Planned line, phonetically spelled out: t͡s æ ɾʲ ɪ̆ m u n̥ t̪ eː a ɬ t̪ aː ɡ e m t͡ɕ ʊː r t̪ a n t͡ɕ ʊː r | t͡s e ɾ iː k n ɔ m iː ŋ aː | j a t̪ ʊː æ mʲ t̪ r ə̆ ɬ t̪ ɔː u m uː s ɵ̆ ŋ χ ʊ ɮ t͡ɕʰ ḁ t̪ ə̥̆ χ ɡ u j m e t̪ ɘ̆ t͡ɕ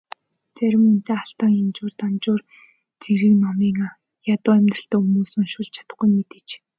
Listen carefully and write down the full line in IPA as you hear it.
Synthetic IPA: t͡s æ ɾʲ ɪ̆ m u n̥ t̪ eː a ɬ t̪ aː ŋ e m t͡ɕ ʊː r t̪ a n t͡ɕ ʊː r | t͡s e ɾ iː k n ɔ m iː ŋ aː | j a t̪ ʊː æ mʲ t̪ r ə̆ ɬ t̪ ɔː u m uː s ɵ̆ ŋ ʃ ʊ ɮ t͡ɕʰ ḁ t̪ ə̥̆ χ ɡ u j m e t̪ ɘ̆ t͡ɕ